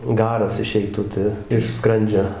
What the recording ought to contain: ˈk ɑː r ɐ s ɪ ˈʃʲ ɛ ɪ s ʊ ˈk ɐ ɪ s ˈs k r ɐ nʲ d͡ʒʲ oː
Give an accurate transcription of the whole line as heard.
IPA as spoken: ˈɡ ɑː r ɐ s ɪ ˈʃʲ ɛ ɪ t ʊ ˈt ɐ ɪ ʃ ˈs k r ɐ nʲ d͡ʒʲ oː